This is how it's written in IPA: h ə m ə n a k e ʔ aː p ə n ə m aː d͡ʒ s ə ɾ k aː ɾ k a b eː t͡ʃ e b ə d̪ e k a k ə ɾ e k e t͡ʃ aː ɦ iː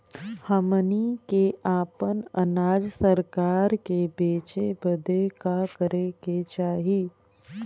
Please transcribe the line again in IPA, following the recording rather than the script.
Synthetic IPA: h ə m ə n i k e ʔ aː p ə n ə n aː d͡ʒ s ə ɾ k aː ɾ k e b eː t͡ʃ e b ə d̪ e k a k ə ɾ e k e t͡ʃ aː ɦ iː